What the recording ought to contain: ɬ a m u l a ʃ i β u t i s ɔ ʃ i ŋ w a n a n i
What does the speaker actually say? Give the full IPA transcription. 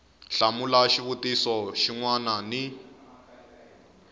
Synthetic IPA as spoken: ɬ a m u l a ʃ i β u t i s ɔ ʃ i ŋ w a n a n i